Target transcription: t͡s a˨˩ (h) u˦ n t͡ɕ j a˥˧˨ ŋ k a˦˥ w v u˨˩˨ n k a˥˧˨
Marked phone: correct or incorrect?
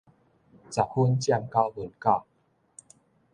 correct